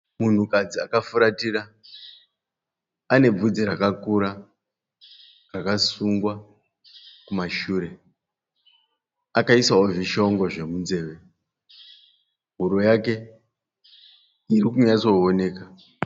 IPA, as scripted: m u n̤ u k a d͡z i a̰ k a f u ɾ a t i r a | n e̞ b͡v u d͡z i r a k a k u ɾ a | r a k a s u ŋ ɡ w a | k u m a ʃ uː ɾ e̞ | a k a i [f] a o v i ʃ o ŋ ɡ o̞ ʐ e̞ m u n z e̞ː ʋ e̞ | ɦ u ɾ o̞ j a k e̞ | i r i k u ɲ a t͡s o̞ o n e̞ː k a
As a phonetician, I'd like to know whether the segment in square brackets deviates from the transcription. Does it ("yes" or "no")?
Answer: yes